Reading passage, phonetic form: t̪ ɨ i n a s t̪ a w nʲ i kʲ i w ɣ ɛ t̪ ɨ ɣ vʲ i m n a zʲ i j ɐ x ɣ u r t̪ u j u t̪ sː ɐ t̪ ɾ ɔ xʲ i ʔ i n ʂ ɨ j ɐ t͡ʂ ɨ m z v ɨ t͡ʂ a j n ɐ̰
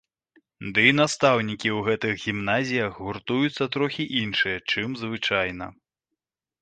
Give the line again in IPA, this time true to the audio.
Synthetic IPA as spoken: d̪ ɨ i n a s t̪ a w nʲ i kʲ i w ɣ ɛ t̪ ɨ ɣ ɣʲ i m n a zʲ i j ɐ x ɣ u r t̪ u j u t̪ sː ɐ t̪ ɾ ɔ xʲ i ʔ i n ʂ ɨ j ɐ t͡ʂ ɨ m z v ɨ t͡ʂ a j n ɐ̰